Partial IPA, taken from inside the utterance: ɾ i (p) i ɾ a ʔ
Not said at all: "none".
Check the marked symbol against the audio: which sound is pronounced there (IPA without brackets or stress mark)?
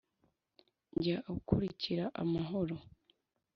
c